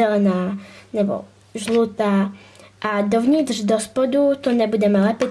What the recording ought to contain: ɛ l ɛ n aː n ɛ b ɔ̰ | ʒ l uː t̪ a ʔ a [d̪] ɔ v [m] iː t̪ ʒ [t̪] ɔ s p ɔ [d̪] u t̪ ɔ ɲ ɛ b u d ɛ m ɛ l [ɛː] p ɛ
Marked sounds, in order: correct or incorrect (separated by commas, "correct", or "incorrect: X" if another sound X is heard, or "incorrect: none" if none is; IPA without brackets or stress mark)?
correct, incorrect: ɲ, incorrect: d̪, correct, incorrect: ɛ